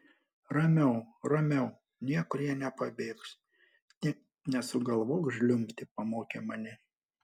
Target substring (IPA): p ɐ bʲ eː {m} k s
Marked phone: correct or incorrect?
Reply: incorrect: none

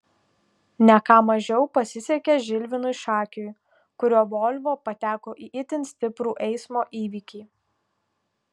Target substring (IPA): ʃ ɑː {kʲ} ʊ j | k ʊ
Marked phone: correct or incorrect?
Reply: correct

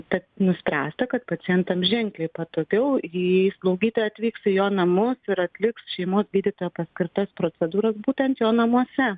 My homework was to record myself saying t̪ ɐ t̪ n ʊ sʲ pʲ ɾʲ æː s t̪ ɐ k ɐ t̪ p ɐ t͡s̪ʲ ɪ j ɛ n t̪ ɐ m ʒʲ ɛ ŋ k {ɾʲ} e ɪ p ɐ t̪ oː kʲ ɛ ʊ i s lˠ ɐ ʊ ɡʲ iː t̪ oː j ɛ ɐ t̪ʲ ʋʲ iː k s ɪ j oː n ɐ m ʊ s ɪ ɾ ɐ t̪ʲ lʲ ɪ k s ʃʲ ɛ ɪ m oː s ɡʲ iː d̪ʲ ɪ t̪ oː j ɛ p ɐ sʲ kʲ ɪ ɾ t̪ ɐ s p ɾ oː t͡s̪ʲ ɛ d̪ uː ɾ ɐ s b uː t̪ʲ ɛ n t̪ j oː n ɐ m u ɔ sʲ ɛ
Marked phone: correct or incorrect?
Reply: incorrect: lʲ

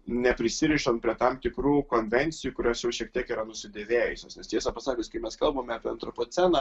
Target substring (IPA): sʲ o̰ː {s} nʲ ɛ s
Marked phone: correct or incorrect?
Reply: correct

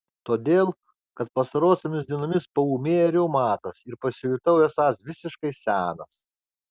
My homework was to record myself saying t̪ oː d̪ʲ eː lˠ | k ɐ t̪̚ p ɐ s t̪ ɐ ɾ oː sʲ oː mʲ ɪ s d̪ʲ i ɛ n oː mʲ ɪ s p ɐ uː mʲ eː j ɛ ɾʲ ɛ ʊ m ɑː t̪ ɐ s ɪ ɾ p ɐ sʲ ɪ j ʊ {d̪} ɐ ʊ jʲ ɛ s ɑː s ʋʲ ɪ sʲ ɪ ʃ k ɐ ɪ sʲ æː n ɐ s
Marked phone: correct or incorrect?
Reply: incorrect: t̪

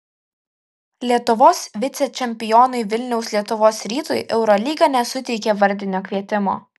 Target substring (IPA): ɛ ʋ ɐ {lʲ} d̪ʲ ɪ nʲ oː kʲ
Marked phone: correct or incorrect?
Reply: incorrect: ɾʲ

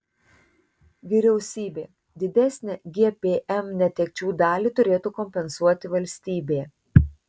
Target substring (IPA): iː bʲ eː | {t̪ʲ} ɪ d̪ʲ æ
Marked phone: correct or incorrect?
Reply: incorrect: d̪ʲ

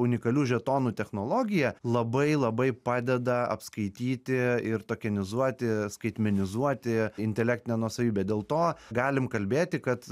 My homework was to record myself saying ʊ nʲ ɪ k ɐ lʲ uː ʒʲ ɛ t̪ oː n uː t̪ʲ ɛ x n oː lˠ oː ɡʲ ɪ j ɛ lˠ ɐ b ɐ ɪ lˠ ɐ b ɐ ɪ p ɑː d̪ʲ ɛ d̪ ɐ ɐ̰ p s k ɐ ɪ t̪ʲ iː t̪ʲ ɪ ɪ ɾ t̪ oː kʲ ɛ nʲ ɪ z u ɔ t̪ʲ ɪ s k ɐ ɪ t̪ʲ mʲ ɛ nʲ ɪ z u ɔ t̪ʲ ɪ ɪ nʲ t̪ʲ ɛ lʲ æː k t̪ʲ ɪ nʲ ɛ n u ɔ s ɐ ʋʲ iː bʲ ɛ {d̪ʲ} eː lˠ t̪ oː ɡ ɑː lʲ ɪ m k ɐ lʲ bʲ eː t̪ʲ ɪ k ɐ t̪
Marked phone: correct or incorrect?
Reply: correct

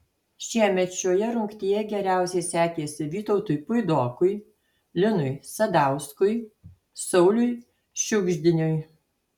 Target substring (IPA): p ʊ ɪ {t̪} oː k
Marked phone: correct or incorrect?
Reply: incorrect: d̪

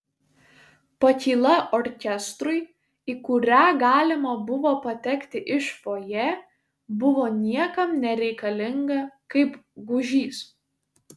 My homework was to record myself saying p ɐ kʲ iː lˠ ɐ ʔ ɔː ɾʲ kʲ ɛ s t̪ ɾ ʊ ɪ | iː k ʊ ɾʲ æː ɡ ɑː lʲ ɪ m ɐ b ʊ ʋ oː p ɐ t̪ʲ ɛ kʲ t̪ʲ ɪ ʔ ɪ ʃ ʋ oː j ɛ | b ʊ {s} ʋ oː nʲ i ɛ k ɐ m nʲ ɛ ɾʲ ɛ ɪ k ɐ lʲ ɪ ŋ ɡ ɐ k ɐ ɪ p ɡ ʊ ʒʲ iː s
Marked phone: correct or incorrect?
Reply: incorrect: none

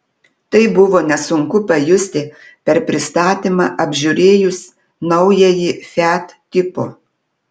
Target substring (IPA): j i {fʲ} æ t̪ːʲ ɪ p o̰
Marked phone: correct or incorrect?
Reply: correct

